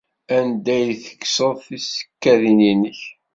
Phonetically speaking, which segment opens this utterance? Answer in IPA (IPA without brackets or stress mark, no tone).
æ